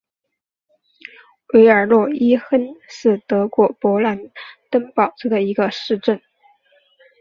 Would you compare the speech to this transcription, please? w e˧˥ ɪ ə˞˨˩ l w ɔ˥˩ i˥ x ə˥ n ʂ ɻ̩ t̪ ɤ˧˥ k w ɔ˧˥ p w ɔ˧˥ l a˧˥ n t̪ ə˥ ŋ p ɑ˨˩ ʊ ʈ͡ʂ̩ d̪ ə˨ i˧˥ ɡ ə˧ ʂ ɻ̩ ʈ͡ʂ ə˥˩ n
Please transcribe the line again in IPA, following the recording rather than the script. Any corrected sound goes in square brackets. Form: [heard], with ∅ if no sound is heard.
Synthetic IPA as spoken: w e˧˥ ɪ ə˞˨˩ l w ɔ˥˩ i˥ x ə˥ n ʂ ɻ̩ t̪ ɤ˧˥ k w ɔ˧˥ p w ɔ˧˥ l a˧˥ n t̪ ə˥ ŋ p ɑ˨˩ ʊ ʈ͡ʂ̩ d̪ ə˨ i˧˥ ɡ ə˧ ʂ ɻ̩ ʈ͡ʂ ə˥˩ n

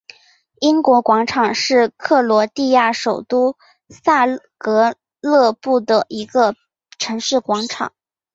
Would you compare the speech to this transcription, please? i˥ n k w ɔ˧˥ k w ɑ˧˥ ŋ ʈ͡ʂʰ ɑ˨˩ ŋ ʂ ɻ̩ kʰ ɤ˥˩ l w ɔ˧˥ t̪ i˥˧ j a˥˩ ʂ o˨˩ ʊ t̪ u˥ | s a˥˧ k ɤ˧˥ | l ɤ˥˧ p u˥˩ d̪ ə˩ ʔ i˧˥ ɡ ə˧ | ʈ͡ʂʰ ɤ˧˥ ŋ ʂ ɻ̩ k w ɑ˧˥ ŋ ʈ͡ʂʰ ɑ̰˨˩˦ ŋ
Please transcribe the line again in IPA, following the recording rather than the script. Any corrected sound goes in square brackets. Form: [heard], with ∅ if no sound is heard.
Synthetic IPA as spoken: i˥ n k w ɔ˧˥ k w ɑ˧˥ ŋ ʈ͡ʂʰ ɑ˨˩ ŋ ʂ ɻ̩ kʰ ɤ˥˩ l w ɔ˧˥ t̪ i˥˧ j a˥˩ ʂ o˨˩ ʊ t̪ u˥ | s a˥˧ k ɤ˧˥ | l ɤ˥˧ p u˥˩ d̪ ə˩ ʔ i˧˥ ɡ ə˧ | ʈ͡ʂʰ ɤ˧˥ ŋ ʂ ɻ̩ k w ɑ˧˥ ŋ ʈ͡ʂʰ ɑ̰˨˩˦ ŋ

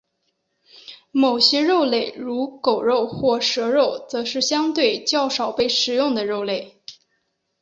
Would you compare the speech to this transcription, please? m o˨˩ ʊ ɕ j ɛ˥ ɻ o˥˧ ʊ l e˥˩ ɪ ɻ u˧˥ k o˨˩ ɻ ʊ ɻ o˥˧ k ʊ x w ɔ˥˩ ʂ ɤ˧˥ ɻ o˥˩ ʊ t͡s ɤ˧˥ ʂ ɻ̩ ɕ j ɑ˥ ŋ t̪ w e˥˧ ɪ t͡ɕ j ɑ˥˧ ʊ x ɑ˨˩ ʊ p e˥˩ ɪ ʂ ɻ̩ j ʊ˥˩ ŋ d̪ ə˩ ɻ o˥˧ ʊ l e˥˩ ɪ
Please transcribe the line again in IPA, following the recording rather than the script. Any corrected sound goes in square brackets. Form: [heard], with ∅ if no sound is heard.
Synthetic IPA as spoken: m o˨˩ ʊ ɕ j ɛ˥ ɻ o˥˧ ʊ l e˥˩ ɪ ɻ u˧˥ k o˨˩ [∅] ʊ ɻ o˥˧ [∅] ʊ x w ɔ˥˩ ʂ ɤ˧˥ ɻ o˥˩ ʊ t͡s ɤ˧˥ ʂ ɻ̩ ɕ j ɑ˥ ŋ t̪ w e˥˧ ɪ t͡ɕ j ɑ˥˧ ʊ [ʂ] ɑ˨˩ ʊ p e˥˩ ɪ ʂ ɻ̩ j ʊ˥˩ ŋ d̪ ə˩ ɻ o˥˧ ʊ l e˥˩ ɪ

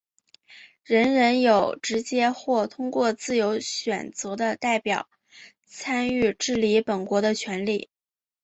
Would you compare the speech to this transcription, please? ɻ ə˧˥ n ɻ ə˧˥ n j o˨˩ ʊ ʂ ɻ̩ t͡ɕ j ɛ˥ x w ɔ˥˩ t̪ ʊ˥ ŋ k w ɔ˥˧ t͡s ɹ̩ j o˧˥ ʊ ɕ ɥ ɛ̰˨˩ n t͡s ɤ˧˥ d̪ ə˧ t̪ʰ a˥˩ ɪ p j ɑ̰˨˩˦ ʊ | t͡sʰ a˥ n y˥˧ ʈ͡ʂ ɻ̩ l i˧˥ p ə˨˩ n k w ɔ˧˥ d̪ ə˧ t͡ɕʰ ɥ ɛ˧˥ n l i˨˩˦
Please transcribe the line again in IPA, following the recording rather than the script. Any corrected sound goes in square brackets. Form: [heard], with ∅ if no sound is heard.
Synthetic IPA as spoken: ɻ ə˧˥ n ɻ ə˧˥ n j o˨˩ ʊ [ʈ͡ʂ] ɻ̩ t͡ɕ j ɛ˥ x w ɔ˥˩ [t̪ʰ] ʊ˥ ŋ k w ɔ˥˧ t͡s ɹ̩ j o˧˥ ʊ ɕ ɥ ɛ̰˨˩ n t͡s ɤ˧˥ d̪ ə˧ [t̪] a˥˩ ɪ p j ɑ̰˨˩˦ ʊ | t͡sʰ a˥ n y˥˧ ʈ͡ʂ ɻ̩ l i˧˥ p ə˨˩ n k w ɔ˧˥ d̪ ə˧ t͡ɕʰ ɥ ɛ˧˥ n l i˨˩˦

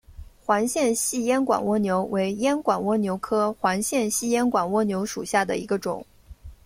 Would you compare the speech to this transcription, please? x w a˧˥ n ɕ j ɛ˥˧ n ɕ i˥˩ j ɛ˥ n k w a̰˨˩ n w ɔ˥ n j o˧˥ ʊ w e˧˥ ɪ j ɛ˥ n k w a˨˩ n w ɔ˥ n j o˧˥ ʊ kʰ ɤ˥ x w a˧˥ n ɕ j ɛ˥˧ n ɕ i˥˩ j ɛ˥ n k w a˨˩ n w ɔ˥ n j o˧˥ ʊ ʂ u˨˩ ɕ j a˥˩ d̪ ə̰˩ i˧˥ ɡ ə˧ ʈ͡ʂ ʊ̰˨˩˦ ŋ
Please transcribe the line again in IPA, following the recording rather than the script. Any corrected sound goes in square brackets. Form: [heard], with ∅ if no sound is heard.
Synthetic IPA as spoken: x w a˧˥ n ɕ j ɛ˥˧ n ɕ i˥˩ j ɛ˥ n k w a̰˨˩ n w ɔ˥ n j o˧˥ ʊ w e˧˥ ɪ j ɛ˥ n k w a˨˩ n w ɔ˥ n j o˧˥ ʊ kʰ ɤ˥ x w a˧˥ n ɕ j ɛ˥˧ n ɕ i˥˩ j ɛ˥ n k w a˨˩ n w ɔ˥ n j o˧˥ ʊ ʂ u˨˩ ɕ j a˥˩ d̪ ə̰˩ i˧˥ ɡ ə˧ ʈ͡ʂ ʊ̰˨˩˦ ŋ

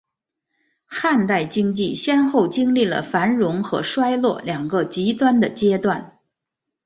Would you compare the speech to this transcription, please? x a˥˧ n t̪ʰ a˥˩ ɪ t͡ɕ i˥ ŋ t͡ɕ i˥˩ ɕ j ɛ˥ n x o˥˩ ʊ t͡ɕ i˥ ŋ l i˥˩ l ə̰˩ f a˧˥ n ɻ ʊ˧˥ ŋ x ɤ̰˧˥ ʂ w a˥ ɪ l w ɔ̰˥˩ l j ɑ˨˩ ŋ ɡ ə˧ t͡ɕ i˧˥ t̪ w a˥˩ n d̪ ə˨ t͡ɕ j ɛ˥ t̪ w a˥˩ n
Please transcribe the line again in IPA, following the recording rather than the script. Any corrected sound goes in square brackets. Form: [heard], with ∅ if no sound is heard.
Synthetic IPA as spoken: x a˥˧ n [t̪] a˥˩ ɪ t͡ɕ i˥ ŋ t͡ɕ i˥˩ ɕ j ɛ˥ n x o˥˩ ʊ t͡ɕ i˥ ŋ l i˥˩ l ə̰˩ f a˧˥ n ɻ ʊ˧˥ ŋ x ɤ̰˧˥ ʂ w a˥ ɪ l w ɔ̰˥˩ l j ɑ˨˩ ŋ ɡ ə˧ t͡ɕ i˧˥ t̪ w [a˥] n d̪ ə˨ t͡ɕ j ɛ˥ t̪ w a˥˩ n

